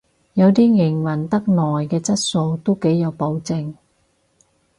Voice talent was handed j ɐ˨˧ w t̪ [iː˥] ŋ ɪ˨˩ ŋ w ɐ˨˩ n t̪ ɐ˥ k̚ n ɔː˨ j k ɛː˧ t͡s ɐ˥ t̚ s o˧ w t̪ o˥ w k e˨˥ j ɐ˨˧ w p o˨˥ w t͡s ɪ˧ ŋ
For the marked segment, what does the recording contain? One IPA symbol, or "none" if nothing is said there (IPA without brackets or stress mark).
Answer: iː˥